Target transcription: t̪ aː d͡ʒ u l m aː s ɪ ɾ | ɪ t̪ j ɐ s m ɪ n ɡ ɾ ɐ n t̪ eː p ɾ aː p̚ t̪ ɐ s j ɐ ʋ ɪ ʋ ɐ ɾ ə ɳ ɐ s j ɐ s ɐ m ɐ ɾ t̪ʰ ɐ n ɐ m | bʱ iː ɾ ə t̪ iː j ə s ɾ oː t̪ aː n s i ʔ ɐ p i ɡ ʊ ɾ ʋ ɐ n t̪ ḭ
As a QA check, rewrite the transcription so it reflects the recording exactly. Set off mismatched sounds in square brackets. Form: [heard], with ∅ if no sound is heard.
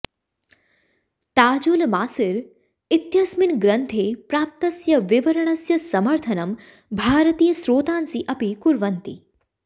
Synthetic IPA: t̪ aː d͡ʒ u l m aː s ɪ ɾ | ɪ t̪ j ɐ s m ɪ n ɡ ɾ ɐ n [t̪ʰ] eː p ɾ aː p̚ t̪ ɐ s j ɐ ʋ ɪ ʋ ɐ ɾ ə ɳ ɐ s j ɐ s ɐ m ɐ ɾ t̪ʰ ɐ n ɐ m | bʱ [aː] ɾ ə t̪ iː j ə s ɾ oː t̪ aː n s i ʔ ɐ p i [k] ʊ ɾ ʋ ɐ n t̪ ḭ